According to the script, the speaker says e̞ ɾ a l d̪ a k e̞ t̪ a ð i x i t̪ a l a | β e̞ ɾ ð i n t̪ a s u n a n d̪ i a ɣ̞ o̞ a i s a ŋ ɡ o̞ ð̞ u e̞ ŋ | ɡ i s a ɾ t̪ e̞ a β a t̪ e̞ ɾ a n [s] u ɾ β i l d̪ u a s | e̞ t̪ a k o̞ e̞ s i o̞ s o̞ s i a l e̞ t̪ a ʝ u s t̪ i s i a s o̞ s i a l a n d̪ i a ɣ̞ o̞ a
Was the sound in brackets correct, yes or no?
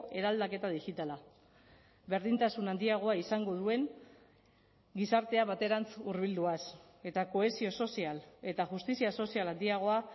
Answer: no